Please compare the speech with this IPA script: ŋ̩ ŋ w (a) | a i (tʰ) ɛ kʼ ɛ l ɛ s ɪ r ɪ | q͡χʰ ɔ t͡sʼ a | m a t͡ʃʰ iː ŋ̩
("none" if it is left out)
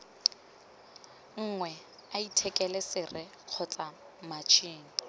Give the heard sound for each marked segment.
ɛ, tʰ

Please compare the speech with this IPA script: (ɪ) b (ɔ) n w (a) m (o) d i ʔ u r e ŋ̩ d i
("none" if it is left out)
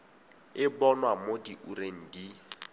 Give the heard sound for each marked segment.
ɪ, ɔ, a, o

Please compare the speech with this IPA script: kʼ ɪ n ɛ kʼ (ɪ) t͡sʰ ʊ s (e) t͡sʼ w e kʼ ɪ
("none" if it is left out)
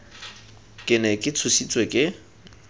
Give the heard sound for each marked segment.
ɪ, i

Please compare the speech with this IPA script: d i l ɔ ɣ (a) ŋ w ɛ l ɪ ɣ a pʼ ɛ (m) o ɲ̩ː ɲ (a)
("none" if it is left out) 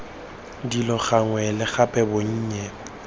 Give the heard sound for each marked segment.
a, b, ɛ

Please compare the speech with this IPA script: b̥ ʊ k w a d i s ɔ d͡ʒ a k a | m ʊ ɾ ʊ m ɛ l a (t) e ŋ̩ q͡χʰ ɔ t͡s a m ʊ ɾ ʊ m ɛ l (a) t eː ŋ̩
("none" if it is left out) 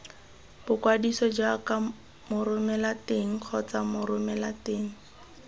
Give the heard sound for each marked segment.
t, a

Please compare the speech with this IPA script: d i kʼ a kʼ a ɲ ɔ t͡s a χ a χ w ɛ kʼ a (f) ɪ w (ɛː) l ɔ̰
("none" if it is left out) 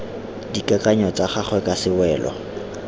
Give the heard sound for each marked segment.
s, ɛː

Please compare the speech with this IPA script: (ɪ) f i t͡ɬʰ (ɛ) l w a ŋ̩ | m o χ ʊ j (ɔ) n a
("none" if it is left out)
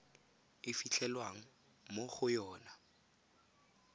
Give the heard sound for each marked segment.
ɪ, ɛ, ɔː

